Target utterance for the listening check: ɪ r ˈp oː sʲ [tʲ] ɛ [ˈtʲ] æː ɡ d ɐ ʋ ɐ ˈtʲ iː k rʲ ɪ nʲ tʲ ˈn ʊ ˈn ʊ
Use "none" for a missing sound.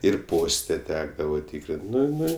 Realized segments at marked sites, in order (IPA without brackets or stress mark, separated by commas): tʲ, tʲ